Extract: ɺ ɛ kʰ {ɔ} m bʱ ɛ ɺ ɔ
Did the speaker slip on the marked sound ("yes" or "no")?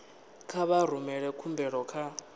yes